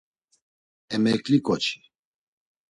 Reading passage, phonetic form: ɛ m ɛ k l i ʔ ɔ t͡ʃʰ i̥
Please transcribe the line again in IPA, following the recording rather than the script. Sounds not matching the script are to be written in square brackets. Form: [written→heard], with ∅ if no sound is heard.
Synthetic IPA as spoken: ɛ m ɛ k l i [ʔ→k] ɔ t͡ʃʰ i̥